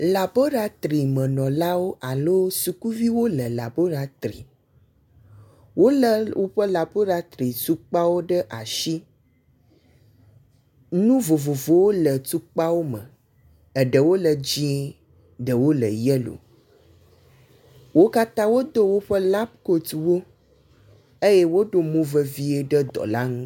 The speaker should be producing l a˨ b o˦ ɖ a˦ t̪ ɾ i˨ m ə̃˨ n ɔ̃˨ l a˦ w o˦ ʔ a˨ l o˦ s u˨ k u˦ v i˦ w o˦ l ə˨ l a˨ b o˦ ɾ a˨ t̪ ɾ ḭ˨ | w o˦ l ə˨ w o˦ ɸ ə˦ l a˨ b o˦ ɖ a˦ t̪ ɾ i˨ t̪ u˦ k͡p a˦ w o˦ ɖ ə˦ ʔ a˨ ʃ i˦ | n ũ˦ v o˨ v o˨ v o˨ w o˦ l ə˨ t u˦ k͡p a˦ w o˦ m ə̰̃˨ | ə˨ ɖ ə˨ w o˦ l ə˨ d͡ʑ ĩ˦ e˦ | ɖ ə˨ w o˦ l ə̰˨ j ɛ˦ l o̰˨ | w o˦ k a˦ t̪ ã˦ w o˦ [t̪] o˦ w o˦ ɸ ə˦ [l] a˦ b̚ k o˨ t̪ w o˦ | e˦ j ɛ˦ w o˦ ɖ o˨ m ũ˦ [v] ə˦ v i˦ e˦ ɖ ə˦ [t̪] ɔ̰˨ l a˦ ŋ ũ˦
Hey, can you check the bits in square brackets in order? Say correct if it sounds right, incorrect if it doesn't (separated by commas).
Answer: incorrect, correct, correct, incorrect